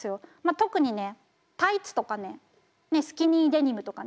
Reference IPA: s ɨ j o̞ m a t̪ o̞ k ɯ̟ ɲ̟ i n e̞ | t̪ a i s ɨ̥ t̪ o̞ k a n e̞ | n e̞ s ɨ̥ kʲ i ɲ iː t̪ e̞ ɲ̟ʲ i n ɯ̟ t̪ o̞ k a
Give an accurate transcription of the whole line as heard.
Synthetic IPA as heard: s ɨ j o̞ m a t̪ o̞ k ɯ̟ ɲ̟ i n e̞ | t̪ a i t͡s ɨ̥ t̪ o̞ k a n e̞ | n e̞ s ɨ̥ kʲ i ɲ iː d̪ e̞ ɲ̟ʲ i m ɯ̟ t̪ o̞ k a